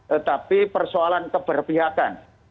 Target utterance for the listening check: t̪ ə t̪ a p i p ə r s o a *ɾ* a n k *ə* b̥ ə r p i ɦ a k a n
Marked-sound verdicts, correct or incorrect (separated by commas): incorrect, correct